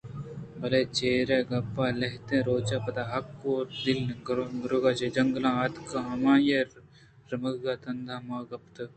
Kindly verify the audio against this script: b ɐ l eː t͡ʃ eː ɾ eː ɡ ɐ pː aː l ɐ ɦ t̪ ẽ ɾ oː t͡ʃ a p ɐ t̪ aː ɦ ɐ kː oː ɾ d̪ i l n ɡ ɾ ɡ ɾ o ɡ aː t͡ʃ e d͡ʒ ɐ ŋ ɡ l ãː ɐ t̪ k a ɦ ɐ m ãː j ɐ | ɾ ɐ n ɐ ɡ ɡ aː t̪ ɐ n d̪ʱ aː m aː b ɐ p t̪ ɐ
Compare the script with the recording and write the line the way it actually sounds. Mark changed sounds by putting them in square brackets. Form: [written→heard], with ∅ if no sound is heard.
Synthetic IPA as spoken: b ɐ l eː t͡ʃ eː ɾ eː ɡ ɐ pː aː l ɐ ɦ t̪ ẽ ɾ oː t͡ʃ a p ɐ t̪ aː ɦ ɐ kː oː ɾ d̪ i l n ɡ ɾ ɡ ɾ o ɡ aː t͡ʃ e d͡ʒ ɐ ŋ ɡ l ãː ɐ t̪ k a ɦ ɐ m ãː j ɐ | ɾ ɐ [n→m] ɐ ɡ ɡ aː t̪ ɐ n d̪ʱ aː m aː [b→ɡ] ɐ p t̪ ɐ

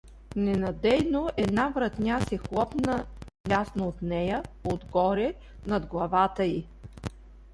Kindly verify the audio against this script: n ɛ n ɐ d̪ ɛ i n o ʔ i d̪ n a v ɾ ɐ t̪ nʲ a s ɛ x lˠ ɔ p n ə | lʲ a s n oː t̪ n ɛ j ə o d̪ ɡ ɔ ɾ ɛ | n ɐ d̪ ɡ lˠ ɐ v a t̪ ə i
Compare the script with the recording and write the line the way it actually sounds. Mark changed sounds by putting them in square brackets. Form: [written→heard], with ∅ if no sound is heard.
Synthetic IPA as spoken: n ɛ n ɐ d̪ ɛ [i→j] n o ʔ [i→ɛ] d̪ n a v ɾ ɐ t̪ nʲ a s ɛ x lˠ ɔ p n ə | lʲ a s n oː t̪ n ɛ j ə o d̪ ɡ ɔ ɾ ɛ | n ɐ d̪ ɡ lˠ ɐ v a t̪ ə i

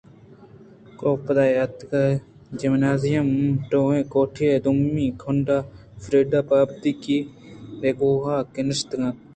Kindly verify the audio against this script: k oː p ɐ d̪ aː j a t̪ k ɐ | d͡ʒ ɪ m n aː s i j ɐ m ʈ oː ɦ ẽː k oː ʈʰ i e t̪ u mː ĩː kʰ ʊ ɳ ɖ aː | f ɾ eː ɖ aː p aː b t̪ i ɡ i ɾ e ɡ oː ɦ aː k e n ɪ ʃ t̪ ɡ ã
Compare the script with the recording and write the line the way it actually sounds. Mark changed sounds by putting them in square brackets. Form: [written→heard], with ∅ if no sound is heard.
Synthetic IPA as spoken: k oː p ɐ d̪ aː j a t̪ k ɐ | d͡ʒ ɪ m n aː [s→z] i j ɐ m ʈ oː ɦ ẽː k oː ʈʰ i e [t̪→d̪] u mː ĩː kʰ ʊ ɳ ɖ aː | f ɾ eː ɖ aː p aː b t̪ i [ɡ→k] i ɾ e ɡ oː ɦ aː k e n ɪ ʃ t̪ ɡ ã

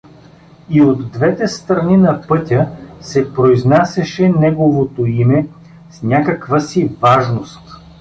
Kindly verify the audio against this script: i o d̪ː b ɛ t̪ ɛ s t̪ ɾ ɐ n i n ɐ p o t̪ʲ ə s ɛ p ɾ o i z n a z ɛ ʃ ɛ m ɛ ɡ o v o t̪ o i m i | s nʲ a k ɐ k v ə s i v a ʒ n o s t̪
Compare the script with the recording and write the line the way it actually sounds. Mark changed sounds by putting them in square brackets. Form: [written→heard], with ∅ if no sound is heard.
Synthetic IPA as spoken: i o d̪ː [b→v] ɛ t̪ ɛ s t̪ ɾ ɐ n i n ɐ p [o→ɤ] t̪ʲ ə s ɛ p ɾ o i z n a [z→s] ɛ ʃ ɛ [m→n] ɛ ɡ o v o t̪ o i m [i→ɛ] | s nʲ a k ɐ k v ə s i v a ʒ n o s t̪

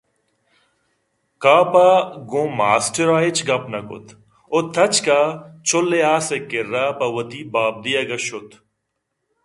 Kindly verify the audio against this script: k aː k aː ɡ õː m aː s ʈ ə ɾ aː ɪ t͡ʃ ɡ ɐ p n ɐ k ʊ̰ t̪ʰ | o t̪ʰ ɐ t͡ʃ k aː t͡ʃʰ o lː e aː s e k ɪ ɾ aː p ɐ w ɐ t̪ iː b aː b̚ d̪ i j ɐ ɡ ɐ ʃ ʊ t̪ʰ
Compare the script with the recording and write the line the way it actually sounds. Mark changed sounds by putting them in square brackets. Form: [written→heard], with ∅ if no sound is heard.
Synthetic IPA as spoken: k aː [k→p] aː ɡ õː m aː s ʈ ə ɾ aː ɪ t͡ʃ ɡ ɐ p n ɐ k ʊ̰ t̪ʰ | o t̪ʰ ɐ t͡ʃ k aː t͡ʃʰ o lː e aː s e k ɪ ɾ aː p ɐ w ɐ t̪ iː b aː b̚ d̪ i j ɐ ɡ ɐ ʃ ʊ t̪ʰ

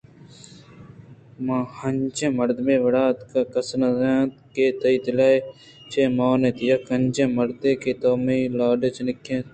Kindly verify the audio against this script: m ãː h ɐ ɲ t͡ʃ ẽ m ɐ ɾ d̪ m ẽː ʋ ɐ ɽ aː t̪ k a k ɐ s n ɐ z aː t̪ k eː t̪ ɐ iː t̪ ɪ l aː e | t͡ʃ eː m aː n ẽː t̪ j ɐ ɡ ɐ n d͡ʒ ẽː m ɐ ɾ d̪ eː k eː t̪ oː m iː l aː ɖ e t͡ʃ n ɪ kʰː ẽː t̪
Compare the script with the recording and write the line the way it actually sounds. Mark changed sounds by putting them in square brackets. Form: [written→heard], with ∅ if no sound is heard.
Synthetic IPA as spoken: m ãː h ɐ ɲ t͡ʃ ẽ m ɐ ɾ d̪ m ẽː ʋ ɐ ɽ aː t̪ k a k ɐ s n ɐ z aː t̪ k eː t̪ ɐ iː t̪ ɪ l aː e | t͡ʃ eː m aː n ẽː t̪ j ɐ [ɡ→k] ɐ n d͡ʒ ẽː m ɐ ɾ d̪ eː k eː t̪ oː m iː l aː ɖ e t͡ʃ n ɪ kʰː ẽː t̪

